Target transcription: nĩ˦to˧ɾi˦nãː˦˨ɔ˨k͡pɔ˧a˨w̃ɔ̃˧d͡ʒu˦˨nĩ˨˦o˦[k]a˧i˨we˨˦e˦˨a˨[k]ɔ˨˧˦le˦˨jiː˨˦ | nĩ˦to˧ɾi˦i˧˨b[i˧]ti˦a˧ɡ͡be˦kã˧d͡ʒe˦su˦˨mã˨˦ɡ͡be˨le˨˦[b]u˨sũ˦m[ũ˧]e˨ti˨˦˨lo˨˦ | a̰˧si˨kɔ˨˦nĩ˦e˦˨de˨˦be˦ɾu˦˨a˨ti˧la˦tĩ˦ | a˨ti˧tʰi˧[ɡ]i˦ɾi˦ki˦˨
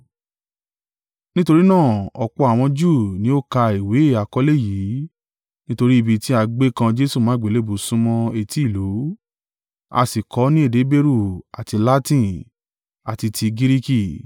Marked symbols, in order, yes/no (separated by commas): yes, yes, yes, yes, no, yes